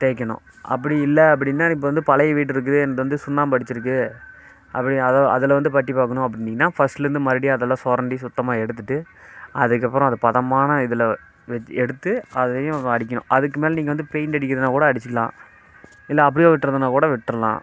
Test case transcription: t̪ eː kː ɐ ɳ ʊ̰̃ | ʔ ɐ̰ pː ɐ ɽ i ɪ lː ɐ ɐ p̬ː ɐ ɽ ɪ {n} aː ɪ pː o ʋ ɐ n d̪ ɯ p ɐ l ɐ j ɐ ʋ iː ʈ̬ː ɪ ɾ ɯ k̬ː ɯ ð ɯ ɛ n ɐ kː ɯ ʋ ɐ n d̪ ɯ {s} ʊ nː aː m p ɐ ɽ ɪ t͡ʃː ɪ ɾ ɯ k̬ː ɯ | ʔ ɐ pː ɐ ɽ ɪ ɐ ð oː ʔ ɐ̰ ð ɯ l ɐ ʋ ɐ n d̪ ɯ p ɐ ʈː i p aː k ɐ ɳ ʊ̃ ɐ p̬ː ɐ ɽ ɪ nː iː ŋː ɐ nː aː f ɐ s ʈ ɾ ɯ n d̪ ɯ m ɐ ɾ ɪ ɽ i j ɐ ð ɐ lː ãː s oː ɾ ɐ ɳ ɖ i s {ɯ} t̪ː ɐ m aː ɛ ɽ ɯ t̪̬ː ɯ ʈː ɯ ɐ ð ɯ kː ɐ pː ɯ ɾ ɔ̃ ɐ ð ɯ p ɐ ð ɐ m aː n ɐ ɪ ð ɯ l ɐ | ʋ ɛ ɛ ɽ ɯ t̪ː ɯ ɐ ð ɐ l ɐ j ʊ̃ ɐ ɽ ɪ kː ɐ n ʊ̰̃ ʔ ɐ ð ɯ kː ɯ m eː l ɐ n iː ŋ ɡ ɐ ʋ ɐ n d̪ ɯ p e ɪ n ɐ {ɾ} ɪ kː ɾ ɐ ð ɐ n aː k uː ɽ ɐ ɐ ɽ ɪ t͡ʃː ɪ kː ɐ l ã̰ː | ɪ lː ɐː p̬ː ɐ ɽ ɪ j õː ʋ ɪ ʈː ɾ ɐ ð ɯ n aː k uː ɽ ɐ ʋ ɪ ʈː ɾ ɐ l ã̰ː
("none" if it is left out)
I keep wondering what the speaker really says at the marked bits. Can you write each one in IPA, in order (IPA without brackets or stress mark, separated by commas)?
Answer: nː, s, ʊ, ɽ